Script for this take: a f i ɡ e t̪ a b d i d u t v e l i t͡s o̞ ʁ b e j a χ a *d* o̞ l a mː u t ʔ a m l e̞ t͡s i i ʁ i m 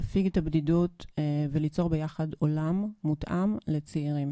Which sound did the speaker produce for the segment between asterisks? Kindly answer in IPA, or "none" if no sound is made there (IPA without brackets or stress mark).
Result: d